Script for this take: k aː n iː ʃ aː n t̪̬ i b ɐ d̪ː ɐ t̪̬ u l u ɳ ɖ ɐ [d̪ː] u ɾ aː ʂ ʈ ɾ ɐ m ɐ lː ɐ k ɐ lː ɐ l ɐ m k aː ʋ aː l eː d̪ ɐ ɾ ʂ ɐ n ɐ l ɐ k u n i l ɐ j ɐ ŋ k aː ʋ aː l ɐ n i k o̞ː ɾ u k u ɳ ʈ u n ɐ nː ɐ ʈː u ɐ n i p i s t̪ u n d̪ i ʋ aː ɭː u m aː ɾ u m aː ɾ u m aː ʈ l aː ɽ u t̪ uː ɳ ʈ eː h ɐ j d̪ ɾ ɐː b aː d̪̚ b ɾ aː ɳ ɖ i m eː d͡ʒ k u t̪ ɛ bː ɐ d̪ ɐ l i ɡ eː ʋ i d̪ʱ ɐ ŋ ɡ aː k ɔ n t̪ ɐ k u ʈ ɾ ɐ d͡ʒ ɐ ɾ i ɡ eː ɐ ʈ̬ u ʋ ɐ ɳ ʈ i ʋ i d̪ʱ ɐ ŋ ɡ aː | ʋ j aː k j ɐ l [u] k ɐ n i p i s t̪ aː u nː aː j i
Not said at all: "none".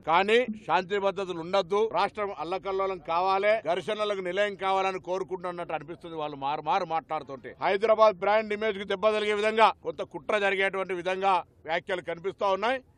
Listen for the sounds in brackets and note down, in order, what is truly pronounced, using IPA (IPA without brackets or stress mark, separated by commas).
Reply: d̪ː, u